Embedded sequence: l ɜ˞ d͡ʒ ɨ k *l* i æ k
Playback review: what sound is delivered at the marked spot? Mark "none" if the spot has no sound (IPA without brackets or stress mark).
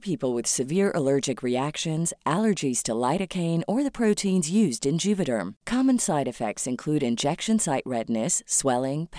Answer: ɹ